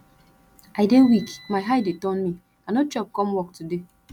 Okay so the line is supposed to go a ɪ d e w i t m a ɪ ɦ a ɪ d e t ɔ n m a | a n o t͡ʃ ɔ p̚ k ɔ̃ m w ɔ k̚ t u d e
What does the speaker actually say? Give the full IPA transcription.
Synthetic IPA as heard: a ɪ d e w i k m a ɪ ɦ a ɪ d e t ɔ n m i | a n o t͡ʃ ɔ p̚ k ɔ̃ m w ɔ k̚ t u d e